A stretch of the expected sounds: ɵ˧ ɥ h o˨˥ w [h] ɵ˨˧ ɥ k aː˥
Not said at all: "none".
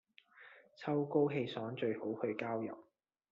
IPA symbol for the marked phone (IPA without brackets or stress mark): h